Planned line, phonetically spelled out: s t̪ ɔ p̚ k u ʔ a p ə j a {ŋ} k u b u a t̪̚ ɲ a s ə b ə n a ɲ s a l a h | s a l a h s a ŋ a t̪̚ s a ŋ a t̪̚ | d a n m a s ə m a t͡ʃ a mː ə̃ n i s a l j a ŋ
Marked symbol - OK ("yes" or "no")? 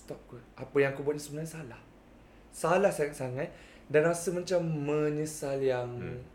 yes